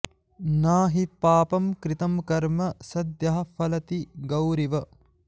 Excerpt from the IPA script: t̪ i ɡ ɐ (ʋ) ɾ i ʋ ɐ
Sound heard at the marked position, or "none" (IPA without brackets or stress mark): w